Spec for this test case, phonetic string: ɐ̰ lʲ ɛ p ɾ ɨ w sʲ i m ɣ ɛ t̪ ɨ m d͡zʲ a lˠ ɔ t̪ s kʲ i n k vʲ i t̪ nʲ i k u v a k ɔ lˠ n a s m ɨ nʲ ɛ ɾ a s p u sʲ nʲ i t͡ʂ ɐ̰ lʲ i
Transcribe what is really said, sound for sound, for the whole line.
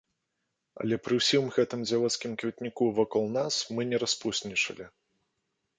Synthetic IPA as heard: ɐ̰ lʲ ɛ p ɾ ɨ w sʲ i m ɣ ɛ t̪ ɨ m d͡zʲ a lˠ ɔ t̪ s kʲ i m k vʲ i t̪ nʲ i k u v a k ɔ lˠ n a s m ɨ nʲ ɛ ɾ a s p u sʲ nʲ i t͡ʂ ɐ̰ lʲ i